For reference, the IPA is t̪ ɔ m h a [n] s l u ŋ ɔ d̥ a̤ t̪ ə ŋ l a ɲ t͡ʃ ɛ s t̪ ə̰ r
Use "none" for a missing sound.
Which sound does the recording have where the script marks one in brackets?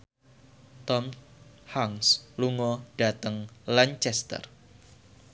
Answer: ŋ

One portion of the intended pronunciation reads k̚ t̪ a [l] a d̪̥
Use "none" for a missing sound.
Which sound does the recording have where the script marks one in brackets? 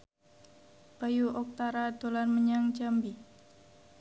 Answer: ɾ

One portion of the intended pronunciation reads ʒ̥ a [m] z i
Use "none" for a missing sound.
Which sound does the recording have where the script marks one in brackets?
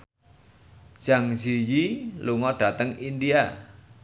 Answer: ŋ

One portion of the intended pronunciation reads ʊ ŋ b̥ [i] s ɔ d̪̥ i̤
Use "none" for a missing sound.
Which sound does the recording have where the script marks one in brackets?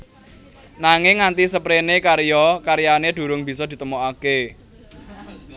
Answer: i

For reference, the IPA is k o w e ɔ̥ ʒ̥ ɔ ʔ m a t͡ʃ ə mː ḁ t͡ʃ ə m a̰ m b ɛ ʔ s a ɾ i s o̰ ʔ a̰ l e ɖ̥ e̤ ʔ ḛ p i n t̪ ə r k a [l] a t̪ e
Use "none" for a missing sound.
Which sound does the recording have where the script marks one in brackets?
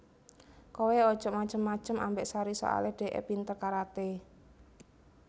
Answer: ɾ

